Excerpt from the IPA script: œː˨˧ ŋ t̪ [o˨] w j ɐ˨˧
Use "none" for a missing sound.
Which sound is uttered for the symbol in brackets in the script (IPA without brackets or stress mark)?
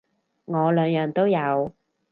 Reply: o˥